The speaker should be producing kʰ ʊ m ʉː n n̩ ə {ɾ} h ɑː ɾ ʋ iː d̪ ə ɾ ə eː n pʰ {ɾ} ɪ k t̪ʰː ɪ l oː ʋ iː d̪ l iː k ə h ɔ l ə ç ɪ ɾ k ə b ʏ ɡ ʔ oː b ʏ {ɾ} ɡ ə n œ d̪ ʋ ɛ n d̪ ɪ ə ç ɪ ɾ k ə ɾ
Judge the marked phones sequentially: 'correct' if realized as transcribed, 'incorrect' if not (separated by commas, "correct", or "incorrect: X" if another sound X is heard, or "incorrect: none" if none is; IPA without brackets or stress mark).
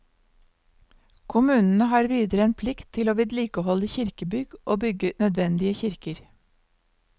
incorrect: none, incorrect: l, incorrect: none